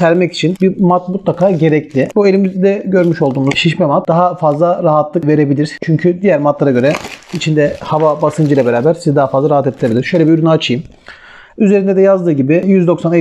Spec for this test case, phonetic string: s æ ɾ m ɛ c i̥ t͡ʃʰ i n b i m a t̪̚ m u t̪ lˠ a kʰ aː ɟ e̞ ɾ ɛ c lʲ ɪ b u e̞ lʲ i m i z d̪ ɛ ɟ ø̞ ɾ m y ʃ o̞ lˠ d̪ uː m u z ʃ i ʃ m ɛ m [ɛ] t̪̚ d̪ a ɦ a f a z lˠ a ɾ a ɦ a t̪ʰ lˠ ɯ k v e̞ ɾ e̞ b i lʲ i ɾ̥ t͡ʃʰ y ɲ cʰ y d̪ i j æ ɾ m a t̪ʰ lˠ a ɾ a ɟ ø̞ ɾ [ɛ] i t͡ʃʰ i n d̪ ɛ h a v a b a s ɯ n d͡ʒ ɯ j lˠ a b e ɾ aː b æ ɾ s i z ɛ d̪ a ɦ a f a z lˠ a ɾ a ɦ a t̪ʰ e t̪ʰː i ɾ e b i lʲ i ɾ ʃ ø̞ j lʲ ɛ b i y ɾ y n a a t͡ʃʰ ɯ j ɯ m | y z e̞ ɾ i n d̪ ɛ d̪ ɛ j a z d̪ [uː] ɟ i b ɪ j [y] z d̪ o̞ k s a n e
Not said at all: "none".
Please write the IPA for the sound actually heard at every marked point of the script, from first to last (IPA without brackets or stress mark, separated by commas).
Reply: a, ɛ, ɯː, y